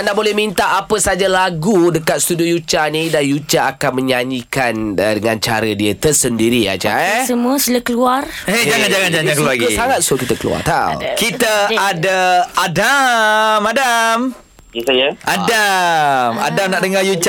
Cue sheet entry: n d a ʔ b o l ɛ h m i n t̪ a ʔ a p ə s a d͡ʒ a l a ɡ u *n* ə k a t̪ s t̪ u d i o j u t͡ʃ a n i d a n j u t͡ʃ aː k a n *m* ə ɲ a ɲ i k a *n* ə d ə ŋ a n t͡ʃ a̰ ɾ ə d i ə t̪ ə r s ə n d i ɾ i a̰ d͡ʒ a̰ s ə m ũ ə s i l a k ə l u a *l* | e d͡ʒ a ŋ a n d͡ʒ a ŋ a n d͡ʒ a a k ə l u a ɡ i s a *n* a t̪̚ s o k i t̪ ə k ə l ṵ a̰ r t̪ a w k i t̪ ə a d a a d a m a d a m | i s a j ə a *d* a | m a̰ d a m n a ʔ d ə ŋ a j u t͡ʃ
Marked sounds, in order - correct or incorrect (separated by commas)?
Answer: incorrect, correct, correct, incorrect, incorrect, correct